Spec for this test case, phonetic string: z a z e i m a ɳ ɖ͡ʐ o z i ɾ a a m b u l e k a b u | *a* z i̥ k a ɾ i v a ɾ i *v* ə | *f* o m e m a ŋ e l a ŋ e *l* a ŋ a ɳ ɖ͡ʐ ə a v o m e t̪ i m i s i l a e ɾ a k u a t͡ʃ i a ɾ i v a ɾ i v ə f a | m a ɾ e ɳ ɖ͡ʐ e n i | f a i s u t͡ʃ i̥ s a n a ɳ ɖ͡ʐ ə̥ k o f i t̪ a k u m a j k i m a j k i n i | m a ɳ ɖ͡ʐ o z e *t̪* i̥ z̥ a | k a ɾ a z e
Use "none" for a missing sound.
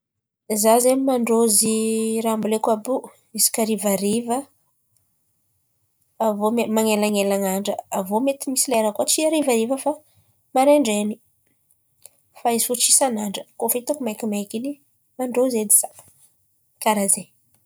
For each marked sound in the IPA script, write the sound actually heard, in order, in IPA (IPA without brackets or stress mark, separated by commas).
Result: i, v, v, l, d̪